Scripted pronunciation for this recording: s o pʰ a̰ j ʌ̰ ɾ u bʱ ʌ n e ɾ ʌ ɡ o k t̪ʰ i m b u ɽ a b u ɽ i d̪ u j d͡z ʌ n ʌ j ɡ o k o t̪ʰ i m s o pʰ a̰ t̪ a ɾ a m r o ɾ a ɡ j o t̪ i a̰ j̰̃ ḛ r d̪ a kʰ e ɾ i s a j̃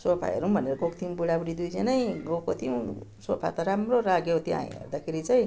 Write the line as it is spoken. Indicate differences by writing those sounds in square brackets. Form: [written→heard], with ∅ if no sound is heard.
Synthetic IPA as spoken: s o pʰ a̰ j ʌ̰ ɾ u bʱ ʌ n e ɾ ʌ ɡ o k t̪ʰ i m b u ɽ a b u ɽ i d̪ u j d͡z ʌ n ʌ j ɡ o k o t̪ʰ i m s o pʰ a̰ t̪ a ɾ a m r o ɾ a ɡ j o t̪ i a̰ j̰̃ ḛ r d̪ a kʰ e ɾ i [s→t͡s] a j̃